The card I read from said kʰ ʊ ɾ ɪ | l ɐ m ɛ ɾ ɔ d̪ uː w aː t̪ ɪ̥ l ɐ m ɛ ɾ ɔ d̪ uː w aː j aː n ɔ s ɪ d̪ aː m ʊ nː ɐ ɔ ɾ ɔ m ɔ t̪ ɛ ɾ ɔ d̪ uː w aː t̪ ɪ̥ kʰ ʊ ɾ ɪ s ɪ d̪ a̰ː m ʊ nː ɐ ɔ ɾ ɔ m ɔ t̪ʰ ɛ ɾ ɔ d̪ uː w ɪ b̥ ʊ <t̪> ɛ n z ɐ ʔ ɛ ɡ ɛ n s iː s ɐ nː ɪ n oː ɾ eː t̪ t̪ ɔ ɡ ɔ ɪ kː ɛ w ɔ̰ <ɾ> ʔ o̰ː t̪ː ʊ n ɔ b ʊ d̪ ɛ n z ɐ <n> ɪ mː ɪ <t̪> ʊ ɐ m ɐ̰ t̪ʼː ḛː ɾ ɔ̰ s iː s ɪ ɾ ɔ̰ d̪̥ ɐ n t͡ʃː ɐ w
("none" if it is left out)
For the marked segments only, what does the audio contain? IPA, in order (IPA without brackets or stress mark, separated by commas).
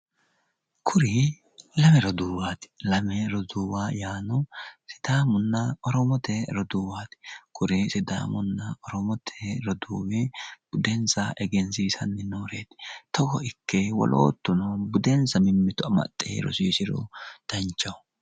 d̪, l, m, t̪